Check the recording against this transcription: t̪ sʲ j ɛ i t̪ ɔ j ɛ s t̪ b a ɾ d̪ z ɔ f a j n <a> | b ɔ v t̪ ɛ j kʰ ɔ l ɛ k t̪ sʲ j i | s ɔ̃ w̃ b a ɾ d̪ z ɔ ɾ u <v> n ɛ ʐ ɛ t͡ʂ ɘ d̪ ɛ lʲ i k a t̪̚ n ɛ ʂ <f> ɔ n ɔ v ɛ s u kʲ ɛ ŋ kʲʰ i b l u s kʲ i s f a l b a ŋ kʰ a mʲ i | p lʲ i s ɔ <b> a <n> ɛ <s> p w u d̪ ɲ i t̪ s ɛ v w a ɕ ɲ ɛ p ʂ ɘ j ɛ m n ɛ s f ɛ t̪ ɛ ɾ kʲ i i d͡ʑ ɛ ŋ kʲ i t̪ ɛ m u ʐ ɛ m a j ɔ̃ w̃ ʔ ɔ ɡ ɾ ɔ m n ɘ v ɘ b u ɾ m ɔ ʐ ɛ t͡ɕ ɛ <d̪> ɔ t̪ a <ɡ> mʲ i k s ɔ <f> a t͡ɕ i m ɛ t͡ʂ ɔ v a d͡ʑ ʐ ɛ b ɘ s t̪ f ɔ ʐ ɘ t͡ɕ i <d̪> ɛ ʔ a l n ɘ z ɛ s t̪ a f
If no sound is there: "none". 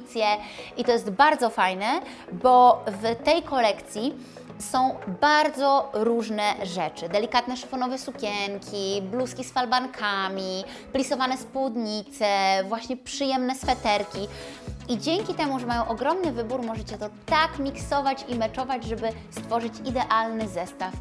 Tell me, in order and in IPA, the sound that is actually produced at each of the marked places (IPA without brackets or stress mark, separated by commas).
ɛ, ʐ, f, v, n, s, t̪, k, v, d̪